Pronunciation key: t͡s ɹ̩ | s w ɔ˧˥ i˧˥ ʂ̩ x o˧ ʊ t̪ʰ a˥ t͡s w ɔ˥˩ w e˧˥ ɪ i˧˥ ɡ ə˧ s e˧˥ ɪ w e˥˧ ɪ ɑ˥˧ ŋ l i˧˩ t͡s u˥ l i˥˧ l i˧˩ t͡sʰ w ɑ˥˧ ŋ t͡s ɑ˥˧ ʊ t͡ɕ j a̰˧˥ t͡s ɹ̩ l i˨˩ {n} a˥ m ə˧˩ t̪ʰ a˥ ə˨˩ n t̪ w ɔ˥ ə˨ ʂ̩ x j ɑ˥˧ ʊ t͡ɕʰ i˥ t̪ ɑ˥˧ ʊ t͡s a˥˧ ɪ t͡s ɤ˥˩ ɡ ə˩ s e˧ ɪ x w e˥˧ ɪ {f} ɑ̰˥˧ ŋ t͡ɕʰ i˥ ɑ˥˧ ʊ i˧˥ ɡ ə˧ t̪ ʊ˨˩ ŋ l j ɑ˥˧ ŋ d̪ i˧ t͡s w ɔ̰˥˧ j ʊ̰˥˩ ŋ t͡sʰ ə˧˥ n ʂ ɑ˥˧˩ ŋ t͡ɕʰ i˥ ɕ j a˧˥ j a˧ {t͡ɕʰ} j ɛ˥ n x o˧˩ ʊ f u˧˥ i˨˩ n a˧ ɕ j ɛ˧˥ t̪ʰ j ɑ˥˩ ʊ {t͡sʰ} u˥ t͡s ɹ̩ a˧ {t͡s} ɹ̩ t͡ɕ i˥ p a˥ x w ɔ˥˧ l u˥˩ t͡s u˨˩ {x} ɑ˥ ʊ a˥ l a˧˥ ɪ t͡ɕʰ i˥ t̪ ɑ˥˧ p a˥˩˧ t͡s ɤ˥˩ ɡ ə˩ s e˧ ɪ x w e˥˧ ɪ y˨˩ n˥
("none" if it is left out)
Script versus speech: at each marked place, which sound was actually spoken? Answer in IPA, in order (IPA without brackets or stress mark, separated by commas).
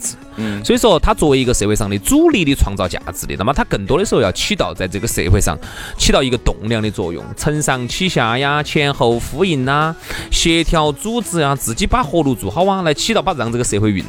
n, ʂ, t͡ɕʰ, t͡s, t͡s, x